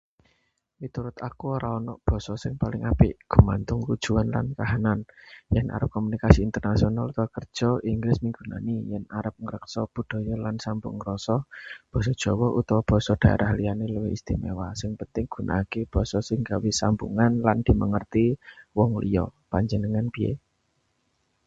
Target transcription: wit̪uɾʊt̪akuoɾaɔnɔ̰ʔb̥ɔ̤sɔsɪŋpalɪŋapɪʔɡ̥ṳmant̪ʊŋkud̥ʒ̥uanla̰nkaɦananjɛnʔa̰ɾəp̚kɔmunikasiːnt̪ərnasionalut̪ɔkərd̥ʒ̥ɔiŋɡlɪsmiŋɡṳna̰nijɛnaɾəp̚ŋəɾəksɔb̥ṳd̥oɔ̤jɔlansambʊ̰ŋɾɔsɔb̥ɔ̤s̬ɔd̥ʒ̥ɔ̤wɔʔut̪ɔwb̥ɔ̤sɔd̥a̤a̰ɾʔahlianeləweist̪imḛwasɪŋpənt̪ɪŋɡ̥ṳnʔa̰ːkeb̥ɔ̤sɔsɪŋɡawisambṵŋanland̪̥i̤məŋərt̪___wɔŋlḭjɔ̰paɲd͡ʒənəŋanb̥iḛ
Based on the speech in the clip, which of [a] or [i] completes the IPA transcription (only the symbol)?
i